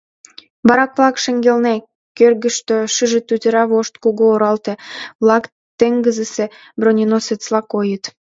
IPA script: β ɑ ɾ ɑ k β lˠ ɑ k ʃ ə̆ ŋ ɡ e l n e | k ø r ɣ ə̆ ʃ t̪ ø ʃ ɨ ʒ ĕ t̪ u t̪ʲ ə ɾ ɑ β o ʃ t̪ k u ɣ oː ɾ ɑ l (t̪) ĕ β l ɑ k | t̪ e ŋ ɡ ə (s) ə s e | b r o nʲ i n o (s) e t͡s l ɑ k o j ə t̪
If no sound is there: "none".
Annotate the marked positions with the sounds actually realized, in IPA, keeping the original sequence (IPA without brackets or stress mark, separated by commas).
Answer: t̪, z, s